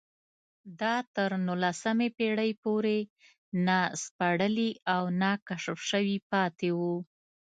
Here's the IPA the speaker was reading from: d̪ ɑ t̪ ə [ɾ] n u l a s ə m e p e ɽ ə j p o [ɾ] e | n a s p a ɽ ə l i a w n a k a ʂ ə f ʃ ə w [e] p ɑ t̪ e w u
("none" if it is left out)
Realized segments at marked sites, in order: ɾ, ɾ, i

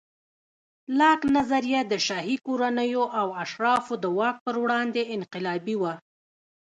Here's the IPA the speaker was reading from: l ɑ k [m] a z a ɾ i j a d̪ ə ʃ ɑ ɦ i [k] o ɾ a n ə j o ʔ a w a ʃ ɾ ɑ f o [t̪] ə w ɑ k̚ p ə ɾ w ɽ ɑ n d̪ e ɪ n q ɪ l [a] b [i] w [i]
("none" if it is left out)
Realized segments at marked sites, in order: n, k, d̪, ɑ, i, a

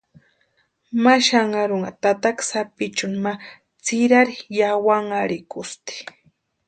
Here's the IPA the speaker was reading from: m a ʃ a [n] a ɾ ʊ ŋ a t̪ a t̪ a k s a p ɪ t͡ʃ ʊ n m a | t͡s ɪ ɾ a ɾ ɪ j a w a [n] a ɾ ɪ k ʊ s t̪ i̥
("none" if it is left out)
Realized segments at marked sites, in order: ŋ, ŋ

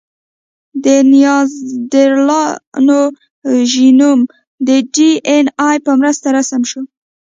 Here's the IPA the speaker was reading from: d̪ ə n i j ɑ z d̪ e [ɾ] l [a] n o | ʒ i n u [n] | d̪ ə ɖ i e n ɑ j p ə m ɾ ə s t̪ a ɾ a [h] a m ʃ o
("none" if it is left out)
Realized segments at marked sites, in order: ɾ, ɑ, m, s

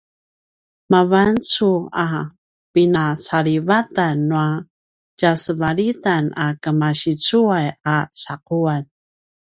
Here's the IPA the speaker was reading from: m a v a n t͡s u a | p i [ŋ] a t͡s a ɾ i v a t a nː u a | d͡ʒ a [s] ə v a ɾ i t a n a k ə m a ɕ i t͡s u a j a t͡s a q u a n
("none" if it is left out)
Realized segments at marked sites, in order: n, s

